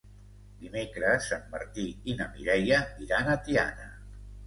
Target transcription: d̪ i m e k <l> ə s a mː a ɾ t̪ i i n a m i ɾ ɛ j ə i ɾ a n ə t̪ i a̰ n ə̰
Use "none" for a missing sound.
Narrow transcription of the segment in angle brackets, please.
ɾ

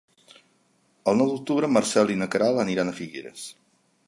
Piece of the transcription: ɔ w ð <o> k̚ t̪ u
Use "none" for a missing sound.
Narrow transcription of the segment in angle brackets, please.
u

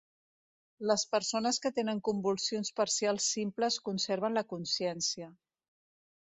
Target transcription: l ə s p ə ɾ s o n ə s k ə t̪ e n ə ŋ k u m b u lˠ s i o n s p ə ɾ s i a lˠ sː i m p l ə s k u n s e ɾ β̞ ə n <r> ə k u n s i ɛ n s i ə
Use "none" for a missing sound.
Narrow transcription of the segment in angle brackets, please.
l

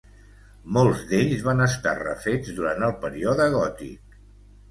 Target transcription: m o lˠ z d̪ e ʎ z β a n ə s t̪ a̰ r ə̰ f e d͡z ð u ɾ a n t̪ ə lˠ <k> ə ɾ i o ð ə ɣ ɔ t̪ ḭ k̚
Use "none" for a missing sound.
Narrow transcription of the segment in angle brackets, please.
p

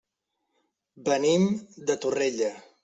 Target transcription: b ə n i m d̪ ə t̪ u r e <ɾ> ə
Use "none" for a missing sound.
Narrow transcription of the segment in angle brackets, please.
ʎ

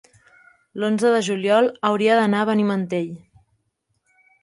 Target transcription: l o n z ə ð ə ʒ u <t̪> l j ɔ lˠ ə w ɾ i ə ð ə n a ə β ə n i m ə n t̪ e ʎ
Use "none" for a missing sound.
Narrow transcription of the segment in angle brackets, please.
none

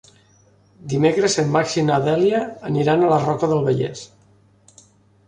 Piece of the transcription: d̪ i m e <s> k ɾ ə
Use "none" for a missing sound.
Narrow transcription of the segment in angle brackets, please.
none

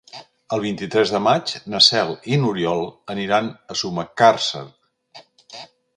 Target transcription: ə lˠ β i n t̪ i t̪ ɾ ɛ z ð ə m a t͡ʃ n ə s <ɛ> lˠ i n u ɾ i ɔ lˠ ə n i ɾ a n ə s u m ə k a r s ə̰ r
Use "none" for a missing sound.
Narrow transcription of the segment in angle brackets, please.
ɛ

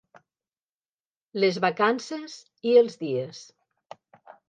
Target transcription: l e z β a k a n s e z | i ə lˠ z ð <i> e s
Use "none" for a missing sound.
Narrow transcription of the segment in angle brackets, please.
i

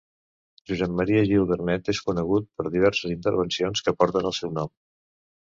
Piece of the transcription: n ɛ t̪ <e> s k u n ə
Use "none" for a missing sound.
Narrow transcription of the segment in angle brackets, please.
e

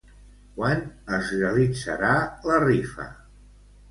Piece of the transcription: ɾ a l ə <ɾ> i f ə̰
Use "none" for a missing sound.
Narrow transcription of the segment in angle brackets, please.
r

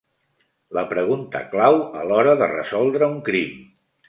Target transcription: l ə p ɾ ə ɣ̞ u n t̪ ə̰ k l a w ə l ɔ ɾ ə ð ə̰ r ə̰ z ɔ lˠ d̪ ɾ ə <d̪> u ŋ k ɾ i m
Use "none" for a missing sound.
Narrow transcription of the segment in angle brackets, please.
none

